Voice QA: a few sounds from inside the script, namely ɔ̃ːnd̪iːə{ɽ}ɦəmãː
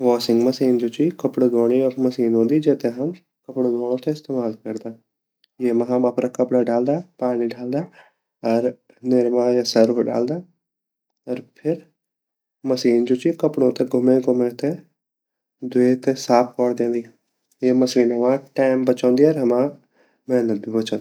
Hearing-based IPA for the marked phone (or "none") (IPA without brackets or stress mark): ɾ